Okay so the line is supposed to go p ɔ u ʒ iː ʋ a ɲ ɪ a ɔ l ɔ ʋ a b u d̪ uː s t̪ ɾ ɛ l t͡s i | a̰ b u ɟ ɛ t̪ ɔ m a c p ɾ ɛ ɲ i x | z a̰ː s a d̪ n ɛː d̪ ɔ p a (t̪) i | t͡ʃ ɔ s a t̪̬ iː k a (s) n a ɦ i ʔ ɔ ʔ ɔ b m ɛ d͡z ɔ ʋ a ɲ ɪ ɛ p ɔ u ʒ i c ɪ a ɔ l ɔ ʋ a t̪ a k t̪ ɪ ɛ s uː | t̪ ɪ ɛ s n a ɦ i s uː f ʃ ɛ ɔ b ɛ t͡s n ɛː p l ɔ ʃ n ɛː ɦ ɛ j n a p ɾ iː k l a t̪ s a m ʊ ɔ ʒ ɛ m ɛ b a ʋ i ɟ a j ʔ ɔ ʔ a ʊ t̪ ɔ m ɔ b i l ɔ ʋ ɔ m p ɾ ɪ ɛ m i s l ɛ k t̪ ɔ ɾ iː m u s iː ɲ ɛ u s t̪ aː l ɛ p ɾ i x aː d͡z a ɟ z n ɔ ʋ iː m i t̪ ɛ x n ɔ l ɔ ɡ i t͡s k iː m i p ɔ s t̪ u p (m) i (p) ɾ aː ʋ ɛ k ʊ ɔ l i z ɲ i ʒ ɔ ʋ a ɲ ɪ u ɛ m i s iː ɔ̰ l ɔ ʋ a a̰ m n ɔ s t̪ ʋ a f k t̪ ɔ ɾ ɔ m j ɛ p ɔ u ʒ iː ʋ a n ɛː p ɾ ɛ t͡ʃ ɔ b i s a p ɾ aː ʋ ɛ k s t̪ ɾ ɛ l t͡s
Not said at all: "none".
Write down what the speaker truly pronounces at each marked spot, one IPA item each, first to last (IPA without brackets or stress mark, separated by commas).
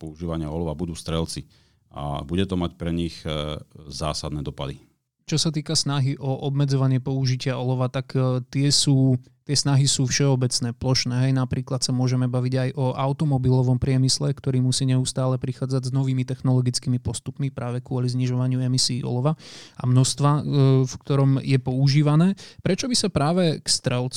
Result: d̪, s, m, p